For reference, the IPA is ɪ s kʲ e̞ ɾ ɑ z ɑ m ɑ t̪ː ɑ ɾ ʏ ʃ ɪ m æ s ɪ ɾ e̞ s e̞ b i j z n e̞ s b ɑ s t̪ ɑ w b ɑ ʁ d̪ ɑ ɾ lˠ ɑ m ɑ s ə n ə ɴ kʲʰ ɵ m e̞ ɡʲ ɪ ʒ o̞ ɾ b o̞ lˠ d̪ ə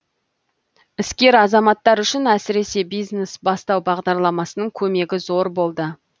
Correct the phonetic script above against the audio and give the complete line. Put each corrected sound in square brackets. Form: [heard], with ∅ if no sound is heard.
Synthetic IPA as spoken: ɪ s kʲ e̞ ɾ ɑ z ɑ m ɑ t̪ː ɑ ɾ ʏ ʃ ɪ [n] æ s ɪ ɾ e̞ s e̞ b i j z n e̞ s b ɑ s t̪ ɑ w b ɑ ʁ d̪ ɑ ɾ lˠ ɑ m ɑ s ə n ə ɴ kʲʰ ɵ m e̞ ɡʲ ɪ [z] o̞ ɾ b o̞ lˠ d̪ ə